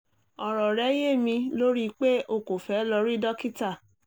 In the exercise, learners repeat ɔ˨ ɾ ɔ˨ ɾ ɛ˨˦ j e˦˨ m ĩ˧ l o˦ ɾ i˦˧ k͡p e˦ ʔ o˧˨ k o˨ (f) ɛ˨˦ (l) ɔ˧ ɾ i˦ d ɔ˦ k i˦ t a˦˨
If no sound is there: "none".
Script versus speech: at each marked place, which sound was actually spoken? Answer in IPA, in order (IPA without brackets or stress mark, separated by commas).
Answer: f, l